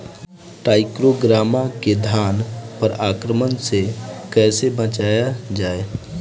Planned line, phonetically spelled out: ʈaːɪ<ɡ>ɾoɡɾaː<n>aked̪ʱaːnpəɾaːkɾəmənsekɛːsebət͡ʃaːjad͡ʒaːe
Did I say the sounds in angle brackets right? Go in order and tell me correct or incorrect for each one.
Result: incorrect, incorrect

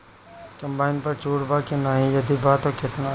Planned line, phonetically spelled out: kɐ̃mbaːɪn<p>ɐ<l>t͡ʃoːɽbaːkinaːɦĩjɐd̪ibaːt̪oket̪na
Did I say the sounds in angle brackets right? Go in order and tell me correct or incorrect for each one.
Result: correct, incorrect

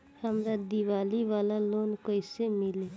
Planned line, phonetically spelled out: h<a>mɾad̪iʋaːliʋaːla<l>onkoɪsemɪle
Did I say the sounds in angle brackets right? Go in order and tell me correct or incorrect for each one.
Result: incorrect, correct

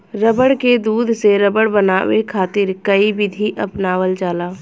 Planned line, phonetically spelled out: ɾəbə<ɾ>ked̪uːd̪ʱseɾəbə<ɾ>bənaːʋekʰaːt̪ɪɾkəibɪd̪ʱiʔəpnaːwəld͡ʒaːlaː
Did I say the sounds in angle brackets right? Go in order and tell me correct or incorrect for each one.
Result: incorrect, incorrect

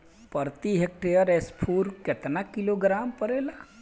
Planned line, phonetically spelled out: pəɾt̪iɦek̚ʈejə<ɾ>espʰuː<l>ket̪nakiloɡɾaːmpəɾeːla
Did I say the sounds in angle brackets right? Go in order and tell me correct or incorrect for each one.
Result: correct, incorrect

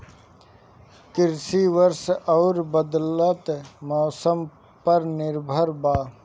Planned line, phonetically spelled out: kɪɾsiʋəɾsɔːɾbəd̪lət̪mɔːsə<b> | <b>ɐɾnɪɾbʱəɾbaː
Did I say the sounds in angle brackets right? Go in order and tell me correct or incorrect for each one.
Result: incorrect, incorrect

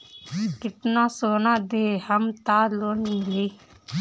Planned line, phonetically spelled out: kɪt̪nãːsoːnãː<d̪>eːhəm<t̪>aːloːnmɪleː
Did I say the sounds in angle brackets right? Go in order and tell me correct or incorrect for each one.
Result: correct, correct

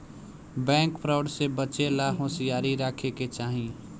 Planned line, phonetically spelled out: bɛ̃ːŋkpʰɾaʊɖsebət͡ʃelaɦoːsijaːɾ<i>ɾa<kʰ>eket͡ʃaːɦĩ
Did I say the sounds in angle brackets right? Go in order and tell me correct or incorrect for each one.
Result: correct, correct

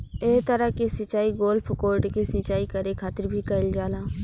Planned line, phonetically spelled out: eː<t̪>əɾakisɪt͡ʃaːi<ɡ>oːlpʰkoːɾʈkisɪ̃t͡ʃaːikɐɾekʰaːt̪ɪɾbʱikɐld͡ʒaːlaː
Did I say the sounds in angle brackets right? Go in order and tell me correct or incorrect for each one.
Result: correct, correct

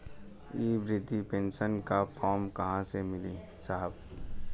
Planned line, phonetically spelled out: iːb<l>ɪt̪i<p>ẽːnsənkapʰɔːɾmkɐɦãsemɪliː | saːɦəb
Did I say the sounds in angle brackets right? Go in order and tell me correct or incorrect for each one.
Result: incorrect, correct

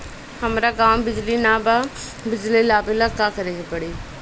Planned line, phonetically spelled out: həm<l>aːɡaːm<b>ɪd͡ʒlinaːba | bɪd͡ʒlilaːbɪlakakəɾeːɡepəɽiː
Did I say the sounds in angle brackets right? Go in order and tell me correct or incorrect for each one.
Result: incorrect, correct

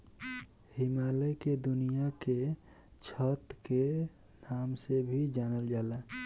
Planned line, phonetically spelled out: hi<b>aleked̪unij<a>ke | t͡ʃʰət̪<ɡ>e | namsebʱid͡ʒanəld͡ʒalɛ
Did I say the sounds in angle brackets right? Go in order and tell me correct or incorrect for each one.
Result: incorrect, correct, incorrect

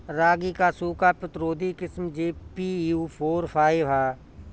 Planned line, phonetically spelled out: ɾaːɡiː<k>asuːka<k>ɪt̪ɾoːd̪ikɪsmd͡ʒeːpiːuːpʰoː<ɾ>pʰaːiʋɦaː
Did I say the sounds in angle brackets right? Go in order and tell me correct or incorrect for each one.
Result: correct, incorrect, correct

